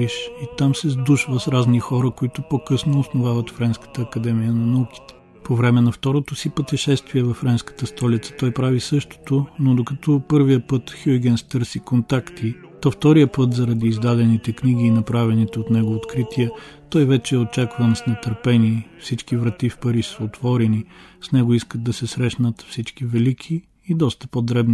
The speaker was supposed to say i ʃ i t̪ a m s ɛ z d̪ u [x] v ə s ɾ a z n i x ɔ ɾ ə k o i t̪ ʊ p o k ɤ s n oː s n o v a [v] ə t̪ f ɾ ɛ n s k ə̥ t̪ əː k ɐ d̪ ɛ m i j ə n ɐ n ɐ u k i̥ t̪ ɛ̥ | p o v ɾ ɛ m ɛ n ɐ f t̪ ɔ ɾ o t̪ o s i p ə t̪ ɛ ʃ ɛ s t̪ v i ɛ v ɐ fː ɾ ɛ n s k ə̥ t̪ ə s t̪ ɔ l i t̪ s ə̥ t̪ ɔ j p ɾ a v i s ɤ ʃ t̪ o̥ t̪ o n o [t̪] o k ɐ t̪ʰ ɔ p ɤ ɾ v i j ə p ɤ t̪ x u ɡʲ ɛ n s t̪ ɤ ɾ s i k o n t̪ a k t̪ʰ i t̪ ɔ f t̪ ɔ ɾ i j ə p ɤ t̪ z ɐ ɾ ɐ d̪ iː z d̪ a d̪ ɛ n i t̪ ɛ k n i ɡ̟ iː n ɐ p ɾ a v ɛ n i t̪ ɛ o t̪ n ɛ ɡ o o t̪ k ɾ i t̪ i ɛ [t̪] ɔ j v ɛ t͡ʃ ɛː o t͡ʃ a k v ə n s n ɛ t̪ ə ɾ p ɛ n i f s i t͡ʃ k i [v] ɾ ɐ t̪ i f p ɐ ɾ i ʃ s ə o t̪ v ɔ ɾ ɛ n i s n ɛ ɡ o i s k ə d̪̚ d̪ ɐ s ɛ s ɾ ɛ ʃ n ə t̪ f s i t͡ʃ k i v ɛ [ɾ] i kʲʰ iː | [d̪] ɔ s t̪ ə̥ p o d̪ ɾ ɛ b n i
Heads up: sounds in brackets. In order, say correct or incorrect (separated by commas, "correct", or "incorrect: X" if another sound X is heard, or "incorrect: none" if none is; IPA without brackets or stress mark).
incorrect: ʃ, correct, incorrect: d̪, correct, correct, incorrect: l, correct